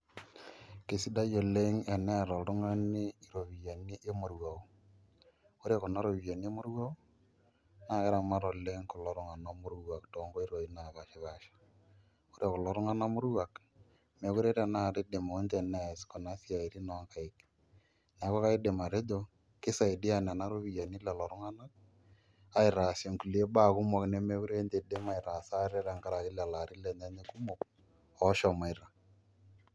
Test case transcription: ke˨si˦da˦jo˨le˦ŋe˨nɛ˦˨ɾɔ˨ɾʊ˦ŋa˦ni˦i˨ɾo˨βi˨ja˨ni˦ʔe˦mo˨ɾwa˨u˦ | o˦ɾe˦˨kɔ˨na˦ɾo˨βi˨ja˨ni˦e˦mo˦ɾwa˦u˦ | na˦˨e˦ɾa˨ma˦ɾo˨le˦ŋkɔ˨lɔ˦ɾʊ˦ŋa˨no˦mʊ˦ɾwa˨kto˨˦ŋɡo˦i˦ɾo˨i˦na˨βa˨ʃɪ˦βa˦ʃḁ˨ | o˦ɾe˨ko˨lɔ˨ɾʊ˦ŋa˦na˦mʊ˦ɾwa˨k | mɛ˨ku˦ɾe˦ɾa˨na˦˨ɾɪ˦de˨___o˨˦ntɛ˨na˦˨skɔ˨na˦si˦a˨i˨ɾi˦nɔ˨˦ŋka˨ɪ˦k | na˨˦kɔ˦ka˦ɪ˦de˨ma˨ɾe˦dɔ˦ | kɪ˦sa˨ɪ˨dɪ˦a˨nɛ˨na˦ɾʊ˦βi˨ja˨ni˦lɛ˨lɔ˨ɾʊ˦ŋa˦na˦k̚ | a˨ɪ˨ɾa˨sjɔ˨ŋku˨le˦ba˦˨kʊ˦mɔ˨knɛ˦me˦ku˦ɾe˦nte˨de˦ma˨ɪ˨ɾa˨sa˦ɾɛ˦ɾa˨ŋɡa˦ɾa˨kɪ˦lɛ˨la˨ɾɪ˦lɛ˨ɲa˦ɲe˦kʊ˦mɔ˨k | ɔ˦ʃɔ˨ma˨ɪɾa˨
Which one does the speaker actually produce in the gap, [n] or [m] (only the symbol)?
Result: m